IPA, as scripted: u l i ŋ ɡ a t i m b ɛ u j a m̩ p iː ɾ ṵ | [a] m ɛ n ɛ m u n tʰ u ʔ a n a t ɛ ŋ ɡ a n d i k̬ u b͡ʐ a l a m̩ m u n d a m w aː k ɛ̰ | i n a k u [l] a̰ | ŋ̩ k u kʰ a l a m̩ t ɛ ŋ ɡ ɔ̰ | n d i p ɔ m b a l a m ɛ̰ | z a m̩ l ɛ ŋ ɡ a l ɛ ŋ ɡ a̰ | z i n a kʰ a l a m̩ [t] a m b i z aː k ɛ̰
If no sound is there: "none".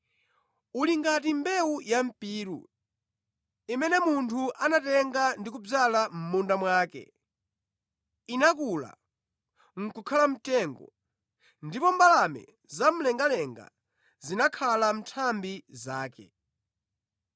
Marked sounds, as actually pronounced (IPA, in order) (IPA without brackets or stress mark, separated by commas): i, l, tʰ